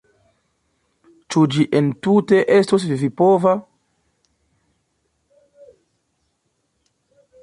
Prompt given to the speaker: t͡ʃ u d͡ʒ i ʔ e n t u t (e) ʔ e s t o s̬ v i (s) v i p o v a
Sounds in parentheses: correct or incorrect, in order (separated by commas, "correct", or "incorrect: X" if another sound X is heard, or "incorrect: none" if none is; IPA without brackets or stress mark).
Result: correct, incorrect: none